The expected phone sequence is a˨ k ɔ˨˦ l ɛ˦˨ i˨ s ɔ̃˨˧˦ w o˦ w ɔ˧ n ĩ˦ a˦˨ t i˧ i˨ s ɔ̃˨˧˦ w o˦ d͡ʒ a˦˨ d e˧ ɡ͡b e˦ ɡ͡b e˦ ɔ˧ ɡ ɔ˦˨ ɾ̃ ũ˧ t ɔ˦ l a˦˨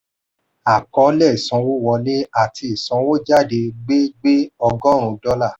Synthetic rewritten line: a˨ k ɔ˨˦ l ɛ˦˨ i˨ s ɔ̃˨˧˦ w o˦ w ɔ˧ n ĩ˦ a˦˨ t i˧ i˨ s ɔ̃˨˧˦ w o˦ d͡ʒ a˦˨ d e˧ ɡ͡b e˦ ɡ͡b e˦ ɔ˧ ɡ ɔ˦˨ ɾ̃ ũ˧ d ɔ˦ l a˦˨